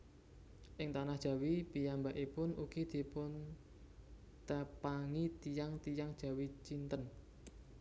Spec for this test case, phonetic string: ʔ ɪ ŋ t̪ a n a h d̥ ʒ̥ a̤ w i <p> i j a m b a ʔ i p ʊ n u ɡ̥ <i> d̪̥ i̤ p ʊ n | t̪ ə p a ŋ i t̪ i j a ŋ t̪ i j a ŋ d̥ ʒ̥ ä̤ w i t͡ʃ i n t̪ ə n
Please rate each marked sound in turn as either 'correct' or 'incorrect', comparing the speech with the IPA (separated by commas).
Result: correct, correct